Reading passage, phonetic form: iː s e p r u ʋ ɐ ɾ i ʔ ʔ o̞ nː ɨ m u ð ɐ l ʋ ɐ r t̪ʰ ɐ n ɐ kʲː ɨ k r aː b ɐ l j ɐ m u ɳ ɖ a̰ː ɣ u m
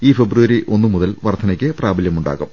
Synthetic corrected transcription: iː f e b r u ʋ ɐ ɾ i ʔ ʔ o̞ nː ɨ m u ð ɐ l ʋ ɐ r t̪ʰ ɐ n ɐ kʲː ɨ p r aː b ɐ l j ɐ m u ɳ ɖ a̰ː ɣ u m